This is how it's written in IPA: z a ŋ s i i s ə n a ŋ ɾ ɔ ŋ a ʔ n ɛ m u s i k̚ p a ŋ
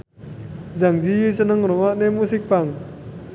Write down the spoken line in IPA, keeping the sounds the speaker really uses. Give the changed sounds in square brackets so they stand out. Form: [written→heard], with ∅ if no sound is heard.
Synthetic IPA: z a ŋ [s→z] i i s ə n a ŋ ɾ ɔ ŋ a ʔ n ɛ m u s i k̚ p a ŋ